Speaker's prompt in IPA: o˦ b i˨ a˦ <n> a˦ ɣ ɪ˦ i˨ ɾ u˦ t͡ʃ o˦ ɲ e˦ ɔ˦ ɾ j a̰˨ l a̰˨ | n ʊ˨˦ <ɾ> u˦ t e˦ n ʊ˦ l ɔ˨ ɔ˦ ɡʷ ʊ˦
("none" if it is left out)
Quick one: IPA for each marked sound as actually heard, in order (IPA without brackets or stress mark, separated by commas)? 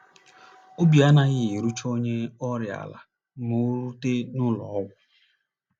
n, ɾ